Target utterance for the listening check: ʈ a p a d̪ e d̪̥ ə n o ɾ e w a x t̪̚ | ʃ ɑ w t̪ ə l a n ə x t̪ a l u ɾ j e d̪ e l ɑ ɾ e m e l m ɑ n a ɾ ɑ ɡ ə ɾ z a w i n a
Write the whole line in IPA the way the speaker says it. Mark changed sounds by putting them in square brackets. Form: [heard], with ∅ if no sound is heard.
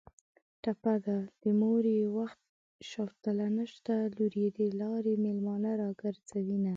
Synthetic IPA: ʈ a p a d̪ [a] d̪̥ ə [m] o ɾ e w a x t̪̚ | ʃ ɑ w t̪ ə l a n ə [ʃ] t̪ a l u ɾ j e d̪ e l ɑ ɾ e m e l m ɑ n a ɾ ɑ ɡ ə ɾ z a w i n a